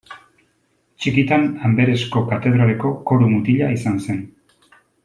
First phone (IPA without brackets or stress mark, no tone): t͡ʃ